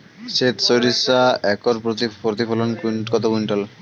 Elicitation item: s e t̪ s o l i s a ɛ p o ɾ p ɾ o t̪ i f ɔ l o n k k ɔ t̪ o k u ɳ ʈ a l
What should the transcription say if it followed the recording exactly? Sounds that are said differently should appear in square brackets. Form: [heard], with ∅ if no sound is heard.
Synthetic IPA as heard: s e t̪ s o [ɾ] i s a ɛ [k] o ɾ p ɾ o t̪ i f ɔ l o n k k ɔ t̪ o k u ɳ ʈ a l